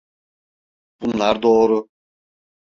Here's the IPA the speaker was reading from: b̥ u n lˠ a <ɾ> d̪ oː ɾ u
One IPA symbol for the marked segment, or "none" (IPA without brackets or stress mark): ɾ